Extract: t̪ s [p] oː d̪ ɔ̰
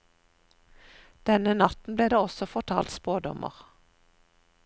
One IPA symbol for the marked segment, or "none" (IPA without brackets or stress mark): p